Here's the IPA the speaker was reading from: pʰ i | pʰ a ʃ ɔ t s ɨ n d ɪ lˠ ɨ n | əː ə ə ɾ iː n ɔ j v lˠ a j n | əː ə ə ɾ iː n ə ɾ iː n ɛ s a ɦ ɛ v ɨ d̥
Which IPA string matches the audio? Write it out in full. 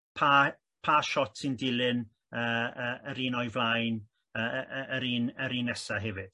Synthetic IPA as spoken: pʰ a | pʰ a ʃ ɔ t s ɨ n d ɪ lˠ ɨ n | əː ə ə ɾ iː n ɔ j v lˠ a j n | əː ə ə ɾ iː n ə ɾ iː n ɛ s a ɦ ɛ v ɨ d̥